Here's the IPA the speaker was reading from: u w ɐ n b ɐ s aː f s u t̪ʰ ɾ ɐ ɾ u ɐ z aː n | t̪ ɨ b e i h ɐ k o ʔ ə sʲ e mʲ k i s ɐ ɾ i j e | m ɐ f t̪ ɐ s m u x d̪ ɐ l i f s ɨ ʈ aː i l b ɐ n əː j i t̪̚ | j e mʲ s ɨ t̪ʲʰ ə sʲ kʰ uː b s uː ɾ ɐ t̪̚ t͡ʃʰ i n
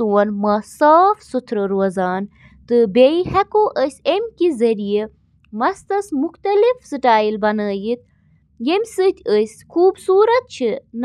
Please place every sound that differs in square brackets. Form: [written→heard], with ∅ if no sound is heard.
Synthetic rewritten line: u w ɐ n [b→m] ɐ s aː f s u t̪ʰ ɾ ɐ ɾ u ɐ z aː n | t̪ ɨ b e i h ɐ k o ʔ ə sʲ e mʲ k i [s→z] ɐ ɾ i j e | m ɐ [f→s] t̪ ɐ s m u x [d̪→t̪] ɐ l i f s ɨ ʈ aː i l b ɐ n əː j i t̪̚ | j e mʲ s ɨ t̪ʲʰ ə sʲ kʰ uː b s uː ɾ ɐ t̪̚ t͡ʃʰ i n